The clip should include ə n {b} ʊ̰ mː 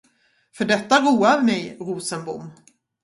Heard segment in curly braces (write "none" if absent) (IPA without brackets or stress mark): b